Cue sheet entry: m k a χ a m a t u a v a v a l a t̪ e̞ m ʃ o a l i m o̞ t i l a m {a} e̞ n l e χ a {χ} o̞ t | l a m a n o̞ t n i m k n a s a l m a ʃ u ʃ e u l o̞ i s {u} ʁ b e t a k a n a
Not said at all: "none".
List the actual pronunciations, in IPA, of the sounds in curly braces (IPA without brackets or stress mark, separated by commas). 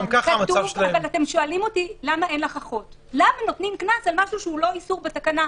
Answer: a, χ, u